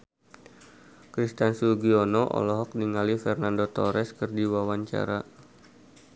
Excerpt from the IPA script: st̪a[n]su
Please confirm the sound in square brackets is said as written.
yes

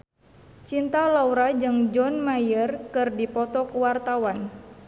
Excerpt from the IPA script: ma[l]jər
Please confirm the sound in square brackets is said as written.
no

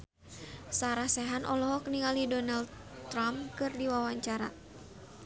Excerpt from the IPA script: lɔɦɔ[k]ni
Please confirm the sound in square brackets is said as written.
yes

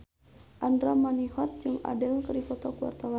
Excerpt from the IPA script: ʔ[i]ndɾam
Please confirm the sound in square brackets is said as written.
no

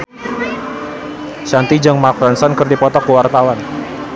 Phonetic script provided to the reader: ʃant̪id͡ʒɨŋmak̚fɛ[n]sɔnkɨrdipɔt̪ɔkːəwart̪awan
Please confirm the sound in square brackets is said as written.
yes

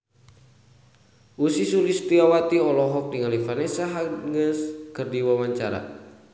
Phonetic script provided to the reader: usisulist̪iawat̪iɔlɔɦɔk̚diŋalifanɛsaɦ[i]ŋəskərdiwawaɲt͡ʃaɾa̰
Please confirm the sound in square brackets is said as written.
no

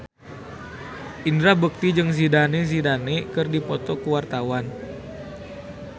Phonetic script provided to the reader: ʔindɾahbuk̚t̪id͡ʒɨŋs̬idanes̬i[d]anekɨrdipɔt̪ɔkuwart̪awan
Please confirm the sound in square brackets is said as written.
yes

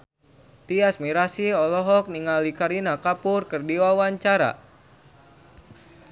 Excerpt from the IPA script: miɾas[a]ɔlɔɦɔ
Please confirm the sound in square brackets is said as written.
no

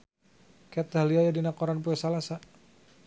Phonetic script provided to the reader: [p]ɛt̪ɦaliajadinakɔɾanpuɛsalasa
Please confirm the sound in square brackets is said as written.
no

